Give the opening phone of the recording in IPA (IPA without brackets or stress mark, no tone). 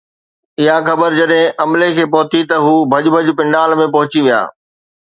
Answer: ɪ